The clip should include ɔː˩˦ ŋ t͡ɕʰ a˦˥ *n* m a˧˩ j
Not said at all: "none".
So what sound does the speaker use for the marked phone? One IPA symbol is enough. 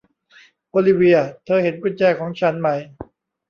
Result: n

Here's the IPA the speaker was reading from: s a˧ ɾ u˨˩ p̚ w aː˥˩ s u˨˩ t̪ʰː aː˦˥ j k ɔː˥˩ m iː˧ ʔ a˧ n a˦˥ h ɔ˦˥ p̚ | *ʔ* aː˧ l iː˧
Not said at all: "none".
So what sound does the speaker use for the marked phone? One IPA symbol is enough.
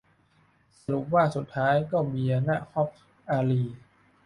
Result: ʔ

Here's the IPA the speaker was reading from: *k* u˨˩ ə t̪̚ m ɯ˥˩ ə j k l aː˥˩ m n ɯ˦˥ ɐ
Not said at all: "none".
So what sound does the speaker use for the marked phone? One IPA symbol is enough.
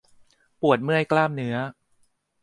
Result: p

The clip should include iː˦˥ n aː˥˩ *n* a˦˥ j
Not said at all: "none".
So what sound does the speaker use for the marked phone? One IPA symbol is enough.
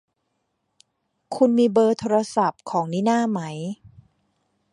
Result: m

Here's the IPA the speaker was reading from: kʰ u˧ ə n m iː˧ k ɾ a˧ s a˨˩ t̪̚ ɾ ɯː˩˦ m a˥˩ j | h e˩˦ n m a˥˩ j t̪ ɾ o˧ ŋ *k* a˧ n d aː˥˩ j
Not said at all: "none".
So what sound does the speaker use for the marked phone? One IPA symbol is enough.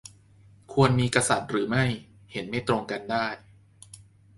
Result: k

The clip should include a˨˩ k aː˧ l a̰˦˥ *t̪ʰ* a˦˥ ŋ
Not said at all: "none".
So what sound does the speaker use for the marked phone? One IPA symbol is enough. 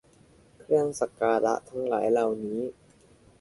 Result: t̪ʰ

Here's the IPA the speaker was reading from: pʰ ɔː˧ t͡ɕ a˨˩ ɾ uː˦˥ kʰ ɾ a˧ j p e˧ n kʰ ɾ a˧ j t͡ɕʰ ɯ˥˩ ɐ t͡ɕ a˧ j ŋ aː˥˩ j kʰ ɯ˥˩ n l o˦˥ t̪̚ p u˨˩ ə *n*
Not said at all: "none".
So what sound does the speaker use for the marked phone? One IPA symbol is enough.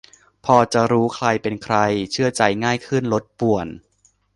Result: n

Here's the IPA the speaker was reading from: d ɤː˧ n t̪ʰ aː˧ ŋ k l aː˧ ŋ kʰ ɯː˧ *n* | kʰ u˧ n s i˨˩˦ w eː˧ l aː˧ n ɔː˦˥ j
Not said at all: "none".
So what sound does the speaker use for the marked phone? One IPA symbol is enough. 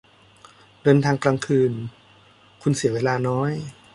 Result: n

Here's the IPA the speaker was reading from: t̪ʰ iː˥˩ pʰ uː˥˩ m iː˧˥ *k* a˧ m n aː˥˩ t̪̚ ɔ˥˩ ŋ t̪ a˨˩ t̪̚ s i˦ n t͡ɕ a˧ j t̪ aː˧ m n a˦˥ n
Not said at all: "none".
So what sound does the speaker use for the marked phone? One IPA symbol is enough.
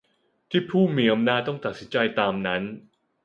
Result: ʔ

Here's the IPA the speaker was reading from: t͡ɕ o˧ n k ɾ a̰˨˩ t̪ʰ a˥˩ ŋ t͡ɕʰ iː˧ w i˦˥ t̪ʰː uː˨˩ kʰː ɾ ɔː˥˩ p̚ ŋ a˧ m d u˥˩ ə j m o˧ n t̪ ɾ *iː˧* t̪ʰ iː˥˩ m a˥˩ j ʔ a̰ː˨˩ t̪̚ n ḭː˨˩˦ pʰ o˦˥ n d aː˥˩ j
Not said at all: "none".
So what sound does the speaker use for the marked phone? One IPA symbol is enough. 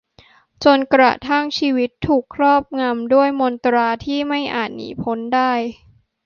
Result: aː˧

